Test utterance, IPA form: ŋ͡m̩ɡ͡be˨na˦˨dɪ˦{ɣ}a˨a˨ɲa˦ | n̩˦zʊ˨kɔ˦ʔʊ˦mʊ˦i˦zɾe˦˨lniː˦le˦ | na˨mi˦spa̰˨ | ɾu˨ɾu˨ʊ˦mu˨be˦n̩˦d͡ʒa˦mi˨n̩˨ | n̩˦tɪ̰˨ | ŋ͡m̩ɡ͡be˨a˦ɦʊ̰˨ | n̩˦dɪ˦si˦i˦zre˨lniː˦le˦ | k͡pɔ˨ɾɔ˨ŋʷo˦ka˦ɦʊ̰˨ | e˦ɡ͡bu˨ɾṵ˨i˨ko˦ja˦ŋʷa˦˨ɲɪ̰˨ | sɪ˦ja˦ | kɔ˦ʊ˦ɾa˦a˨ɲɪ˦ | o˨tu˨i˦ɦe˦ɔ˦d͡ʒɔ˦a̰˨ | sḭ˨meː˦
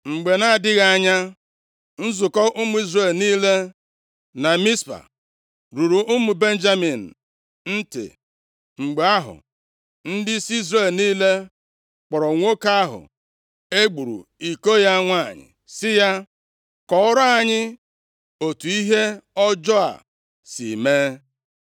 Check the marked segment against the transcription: correct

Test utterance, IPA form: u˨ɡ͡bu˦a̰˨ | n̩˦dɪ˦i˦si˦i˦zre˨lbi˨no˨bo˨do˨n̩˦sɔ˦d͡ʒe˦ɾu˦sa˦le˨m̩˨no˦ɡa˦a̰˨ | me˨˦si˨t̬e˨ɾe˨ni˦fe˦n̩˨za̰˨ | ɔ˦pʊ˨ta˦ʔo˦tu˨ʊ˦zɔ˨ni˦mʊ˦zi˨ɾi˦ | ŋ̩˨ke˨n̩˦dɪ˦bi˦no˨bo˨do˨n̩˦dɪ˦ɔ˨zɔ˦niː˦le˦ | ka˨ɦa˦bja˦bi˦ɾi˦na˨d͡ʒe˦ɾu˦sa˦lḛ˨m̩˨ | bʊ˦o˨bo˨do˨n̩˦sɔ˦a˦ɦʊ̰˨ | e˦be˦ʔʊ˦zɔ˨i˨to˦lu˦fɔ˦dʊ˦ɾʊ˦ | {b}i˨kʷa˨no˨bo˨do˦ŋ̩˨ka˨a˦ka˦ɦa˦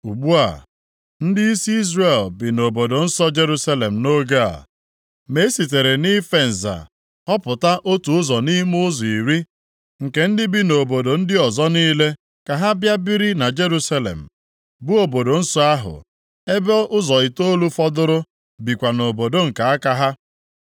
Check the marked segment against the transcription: correct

